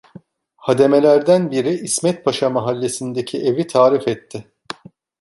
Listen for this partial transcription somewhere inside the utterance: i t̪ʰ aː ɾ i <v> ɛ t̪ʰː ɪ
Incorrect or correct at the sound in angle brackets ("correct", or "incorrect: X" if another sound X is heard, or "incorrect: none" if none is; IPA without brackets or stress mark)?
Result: incorrect: f